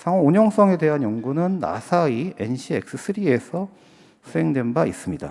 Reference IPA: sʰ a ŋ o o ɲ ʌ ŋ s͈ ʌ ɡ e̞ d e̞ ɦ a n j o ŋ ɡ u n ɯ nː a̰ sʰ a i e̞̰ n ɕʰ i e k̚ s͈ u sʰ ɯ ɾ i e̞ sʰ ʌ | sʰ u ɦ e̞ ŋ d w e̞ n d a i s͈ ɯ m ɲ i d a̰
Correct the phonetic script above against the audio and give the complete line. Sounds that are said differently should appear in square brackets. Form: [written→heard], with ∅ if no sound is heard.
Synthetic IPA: sʰ a ŋ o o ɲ ʌ ŋ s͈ ʌ [ɡ→ŋ] e̞ d e̞ ɦ a n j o ŋ ɡ u n ɯ nː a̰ sʰ a i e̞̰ n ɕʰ i e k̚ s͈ [u→ɯ] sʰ ɯ ɾ i e̞ sʰ ʌ | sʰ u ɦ e̞ ŋ d w e̞ n [d→b] a i s͈ ɯ m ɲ i d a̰